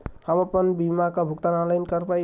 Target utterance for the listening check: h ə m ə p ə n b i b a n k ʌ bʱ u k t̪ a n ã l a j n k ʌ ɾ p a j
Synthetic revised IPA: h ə m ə p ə n b i m a k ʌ bʱ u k t̪ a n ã l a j n k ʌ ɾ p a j